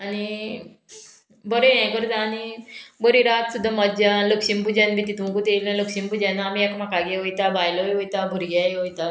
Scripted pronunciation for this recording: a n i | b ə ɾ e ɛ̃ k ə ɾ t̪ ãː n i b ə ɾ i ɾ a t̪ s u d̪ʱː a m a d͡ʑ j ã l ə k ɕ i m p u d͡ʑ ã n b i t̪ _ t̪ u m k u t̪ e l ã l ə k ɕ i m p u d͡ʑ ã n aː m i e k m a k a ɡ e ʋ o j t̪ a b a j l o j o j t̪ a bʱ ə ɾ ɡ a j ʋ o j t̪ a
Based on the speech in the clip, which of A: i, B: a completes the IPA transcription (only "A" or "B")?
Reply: A